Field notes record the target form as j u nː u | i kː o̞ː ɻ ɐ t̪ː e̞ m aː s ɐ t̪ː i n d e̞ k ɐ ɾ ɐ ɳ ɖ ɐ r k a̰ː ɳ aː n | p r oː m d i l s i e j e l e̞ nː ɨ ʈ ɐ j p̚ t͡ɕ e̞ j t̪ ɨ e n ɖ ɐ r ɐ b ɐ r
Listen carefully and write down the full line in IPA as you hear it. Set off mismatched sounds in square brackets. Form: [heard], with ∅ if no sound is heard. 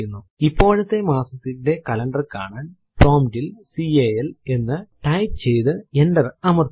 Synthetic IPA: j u nː u | i [pː] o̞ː ɻ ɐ t̪ː e̞ m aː s ɐ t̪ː i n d e̞ k ɐ [l] ɐ ɳ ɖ ɐ r k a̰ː ɳ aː n | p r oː m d i l s i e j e l e̞ nː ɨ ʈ ɐ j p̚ t͡ɕ e̞ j t̪ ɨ e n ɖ ɐ r ɐ [m] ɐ r